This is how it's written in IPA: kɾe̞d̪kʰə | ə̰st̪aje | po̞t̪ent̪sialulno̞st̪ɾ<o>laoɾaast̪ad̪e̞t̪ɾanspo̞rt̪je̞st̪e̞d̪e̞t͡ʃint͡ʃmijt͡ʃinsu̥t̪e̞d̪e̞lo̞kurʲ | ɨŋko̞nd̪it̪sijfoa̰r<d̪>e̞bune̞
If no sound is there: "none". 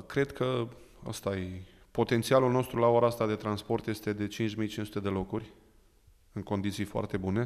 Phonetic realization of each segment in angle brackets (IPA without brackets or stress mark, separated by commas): u, t̪